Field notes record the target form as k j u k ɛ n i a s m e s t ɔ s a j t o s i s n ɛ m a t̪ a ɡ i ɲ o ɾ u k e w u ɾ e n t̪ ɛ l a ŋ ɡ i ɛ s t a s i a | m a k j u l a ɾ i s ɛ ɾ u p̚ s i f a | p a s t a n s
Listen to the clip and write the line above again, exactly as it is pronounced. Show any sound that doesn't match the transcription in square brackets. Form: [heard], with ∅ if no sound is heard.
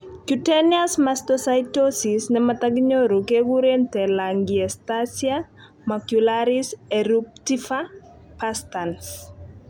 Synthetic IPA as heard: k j u [t] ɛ n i a s m [a] s t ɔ s a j t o s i s n ɛ m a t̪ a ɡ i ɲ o ɾ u k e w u ɾ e n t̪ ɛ l a ŋ ɡ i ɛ s t a s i a | m a k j u l a ɾ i s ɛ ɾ u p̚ [t] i f a | p a s t a n s